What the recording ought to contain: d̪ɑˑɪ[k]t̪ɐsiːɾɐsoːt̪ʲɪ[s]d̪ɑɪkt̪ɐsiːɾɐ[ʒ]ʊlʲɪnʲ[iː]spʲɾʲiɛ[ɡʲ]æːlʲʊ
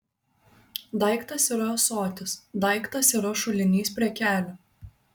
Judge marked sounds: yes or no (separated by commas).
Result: yes, yes, no, yes, no